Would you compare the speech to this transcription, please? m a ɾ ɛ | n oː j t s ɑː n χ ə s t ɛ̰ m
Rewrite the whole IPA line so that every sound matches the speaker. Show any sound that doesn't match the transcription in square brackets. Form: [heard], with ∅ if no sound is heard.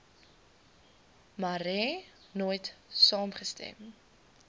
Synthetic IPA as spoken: m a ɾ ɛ | n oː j t s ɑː [m] χ ə s t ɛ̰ m